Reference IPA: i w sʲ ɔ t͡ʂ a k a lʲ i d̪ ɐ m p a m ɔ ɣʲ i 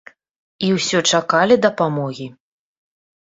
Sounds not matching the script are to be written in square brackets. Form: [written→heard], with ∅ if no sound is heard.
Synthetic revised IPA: i w sʲ ɔ t͡ʂ a k a lʲ i d̪ ɐ [m→∅] p a m ɔ ɣʲ i